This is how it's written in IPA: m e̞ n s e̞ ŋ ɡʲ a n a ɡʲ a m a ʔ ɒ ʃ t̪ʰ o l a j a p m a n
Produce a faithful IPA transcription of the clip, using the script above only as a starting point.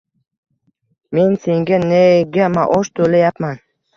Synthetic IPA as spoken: m e̞ n s e̞ ŋ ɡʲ a n e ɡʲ a m a ʔ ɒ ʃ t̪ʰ o l a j a p m a n